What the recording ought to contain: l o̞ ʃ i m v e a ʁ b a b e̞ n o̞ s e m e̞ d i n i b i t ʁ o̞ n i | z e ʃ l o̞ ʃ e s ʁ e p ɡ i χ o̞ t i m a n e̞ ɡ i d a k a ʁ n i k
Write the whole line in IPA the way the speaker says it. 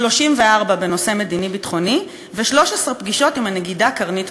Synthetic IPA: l o̞ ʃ i m v e a ʁ b a b e̞ n o̞ s e m e̞ d i n i b i t χ o̞ n i | v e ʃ l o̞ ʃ e s ʁ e p ɡ i ʃ o̞ t i m a n e̞ ɡ i d a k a ʁ n i t